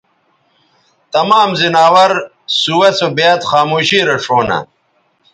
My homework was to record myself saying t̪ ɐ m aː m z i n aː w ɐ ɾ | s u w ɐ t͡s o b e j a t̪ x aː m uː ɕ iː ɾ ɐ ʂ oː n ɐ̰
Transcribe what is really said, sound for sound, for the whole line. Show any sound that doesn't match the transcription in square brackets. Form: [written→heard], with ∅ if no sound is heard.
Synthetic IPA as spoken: t̪ ɐ m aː m z i n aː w ɐ ɾ | s u w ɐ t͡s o b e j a t̪ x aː m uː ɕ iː ɾ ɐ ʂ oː n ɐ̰